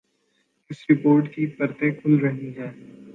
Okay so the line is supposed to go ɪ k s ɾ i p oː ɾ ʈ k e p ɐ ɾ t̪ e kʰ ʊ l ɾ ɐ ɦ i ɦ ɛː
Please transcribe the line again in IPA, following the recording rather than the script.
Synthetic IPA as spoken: ɪ s ɾ ɪ p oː ɾ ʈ k i p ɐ ɾ t̪ e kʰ ʊ l ɾ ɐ ɦ i ɦ ɛː